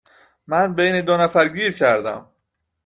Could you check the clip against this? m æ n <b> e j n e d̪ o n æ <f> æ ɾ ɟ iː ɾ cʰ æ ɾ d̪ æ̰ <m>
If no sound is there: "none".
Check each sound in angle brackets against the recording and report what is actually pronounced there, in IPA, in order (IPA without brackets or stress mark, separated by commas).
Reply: b, f, m